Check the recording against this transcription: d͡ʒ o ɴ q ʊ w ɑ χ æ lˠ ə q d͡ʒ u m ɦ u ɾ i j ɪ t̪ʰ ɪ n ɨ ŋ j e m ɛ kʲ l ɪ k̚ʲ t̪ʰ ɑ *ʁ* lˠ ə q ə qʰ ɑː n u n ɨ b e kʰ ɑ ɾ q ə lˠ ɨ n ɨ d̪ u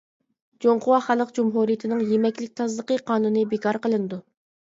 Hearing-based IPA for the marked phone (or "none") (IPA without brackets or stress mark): z